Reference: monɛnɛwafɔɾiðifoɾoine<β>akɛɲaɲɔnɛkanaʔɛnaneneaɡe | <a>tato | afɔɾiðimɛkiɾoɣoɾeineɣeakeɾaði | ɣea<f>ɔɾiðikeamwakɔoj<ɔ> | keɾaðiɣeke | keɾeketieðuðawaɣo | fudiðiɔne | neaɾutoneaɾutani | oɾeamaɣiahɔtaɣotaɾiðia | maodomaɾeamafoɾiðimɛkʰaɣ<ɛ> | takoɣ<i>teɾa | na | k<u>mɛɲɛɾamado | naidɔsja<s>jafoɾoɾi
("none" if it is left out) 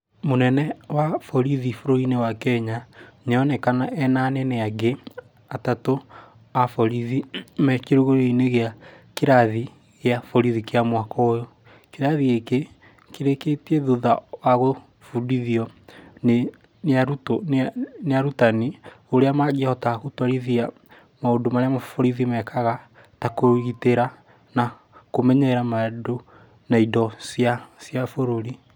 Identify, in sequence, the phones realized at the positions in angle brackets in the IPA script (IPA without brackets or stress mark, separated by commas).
w, a, f, o, a, i, o, s